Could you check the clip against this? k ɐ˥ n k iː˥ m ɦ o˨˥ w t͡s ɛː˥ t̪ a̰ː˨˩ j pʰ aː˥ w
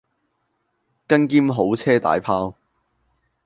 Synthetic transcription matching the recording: k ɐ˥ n k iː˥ m ɦ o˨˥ w t͡sʰ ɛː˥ t̪ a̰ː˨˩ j pʰ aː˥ w

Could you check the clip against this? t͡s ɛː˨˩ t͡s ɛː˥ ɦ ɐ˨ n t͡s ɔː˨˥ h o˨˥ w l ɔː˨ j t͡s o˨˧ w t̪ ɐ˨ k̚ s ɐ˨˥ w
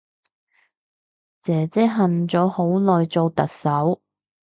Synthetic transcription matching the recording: t͡s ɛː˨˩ t͡s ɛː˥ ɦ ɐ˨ n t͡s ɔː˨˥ h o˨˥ w l ɔː˨ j t͡s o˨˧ w t̪ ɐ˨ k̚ s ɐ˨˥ w

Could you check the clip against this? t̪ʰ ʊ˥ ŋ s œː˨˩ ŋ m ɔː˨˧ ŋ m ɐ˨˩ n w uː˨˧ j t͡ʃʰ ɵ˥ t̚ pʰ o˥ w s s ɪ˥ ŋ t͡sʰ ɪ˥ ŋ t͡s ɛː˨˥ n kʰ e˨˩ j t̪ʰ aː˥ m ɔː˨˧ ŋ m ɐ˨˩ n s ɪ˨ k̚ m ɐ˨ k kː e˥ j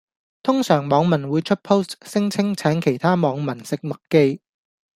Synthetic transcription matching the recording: t̪ʰ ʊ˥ ŋ s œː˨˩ ŋ m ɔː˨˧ ŋ m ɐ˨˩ n w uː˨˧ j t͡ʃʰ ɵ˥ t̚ pʰ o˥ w s s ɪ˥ ŋ t͡sʰ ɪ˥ ŋ t͡sʰ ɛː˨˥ n kʰ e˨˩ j t̪ʰ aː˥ m ɔː˨˧ ŋ m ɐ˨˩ n s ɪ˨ k̚ m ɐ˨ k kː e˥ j

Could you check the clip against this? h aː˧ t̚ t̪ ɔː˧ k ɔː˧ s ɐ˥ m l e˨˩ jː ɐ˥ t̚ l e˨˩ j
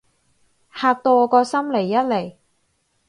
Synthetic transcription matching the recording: h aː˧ k̚ t̪ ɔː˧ k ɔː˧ s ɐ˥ m l e˨˩ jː ɐ˥ t̚ l e˨˩ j

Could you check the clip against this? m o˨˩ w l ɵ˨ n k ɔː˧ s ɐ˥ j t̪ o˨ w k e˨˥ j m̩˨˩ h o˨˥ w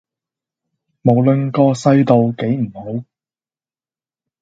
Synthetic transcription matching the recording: m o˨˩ w l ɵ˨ n k ɔː˧ s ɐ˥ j t̪ o˨ w k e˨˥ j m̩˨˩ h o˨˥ w

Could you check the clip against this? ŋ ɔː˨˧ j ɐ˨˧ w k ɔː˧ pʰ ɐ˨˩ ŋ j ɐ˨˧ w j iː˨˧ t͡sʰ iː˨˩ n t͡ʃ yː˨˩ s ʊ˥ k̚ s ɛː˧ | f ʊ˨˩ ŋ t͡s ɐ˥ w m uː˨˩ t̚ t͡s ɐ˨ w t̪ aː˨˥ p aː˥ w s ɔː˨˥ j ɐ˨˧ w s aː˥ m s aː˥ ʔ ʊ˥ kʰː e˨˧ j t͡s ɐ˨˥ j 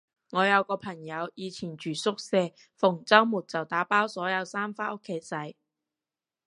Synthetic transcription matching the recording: ŋ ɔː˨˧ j ɐ˨˧ w k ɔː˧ pʰ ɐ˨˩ ŋ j ɐ˨˧ w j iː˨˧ t͡sʰ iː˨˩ n t͡ʃ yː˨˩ s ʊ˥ k̚ s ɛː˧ | f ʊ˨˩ ŋ t͡s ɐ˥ w m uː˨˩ t̚ t͡s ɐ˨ w t̪ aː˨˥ p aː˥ w s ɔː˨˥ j ɐ˨˧ w s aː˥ m f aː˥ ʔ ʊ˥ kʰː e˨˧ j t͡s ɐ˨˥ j

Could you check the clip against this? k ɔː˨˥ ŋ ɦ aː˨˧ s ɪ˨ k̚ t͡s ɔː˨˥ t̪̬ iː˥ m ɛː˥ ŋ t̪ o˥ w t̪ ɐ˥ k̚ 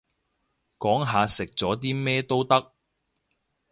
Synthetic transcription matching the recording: k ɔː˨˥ ŋ ɦ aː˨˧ s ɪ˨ k̚ t͡s ɔː˨˥ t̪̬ iː˥ m ɛː˥ t̪ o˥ w t̪ ɐ˥ k̚

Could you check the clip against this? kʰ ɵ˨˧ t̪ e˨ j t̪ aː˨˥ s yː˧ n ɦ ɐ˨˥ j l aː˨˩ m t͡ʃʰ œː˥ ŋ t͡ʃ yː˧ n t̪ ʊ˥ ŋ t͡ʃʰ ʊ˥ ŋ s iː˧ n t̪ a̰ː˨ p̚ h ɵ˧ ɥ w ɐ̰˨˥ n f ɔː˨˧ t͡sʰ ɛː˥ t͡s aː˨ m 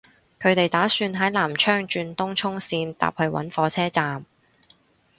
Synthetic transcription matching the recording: kʰ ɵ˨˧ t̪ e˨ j t̪ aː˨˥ s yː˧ n ɦ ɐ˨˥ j l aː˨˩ m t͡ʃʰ œː˥ ŋ t͡ʃ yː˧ n t̪ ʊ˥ ŋ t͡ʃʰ ʊ˥ ŋ s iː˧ n t̪ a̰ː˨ p̚ h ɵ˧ ɥ w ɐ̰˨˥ n f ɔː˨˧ t͡sʰ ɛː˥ t͡s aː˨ m

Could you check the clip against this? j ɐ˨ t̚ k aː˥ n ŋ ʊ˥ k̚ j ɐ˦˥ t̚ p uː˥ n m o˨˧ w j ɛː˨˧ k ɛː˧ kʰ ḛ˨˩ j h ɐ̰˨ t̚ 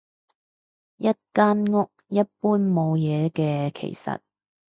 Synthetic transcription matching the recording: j ɐ˥ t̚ k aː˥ n ŋ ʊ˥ k̚ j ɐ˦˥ t̚ p uː˥ n m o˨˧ w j ɛː˨˧ k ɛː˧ kʰ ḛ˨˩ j s ɐ̰˨ t̚

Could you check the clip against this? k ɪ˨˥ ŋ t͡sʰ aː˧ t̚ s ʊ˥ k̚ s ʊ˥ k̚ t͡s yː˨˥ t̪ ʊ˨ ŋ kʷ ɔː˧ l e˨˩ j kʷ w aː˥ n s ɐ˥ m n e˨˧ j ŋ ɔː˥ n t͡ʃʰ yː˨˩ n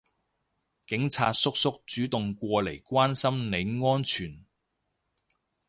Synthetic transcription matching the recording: k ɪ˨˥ ŋ t͡sʰ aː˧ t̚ s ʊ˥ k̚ s ʊ˥ k̚ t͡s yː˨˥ t̪ ʊ˨ ŋ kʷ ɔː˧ l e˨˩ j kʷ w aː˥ n s ɐ˥ m n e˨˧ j ŋ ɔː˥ n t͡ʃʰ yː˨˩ n

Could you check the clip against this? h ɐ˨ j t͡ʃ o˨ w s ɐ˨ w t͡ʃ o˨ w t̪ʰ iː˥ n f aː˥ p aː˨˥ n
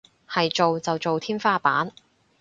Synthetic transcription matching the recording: h ɐ˨ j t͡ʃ o˨ w t͡s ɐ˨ w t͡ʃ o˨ w t̪ʰ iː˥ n f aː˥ p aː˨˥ n

